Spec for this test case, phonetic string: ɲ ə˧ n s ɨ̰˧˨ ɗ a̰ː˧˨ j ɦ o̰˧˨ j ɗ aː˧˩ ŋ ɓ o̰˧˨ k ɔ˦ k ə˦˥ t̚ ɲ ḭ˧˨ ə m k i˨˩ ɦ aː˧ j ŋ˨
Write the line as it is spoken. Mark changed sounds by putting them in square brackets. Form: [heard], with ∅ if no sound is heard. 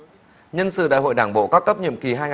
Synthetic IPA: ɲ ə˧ n s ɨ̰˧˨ ɗ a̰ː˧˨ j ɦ o̰˧˨ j ɗ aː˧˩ ŋ ɓ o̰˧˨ k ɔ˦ k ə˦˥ [p̚] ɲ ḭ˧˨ ə m k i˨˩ ɦ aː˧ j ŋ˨